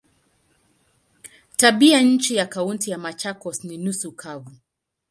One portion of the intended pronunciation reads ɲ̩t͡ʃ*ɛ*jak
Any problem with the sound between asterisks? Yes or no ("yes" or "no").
yes